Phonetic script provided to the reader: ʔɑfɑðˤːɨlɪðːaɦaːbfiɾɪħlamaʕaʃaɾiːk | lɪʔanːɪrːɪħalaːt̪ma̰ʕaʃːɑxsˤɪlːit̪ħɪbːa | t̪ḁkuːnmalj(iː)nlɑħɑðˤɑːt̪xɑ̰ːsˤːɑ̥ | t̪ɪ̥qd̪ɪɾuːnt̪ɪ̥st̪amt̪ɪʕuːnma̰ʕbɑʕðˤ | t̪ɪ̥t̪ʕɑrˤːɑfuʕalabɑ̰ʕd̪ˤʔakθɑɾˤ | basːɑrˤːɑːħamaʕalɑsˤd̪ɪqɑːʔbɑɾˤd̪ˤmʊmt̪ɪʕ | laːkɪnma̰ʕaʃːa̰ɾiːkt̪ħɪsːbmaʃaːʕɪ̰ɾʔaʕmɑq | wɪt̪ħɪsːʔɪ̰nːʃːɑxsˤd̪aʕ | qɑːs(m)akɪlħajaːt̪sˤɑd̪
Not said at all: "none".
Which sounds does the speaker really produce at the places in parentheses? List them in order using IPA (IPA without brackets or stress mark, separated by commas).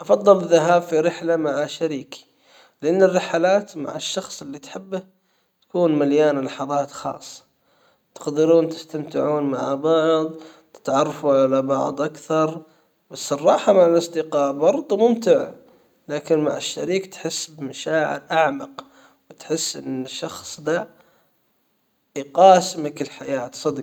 aː, m